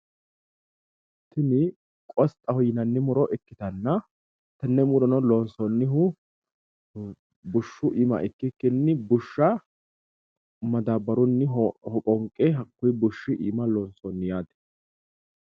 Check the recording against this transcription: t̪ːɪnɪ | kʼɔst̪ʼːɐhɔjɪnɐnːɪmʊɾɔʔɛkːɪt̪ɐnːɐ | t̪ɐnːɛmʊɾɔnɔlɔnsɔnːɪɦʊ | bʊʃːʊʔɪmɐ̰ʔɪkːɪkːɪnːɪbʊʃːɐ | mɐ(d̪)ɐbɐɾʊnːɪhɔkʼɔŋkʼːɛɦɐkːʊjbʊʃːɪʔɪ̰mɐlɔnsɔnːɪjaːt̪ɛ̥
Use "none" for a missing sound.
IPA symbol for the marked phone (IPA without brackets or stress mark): d̪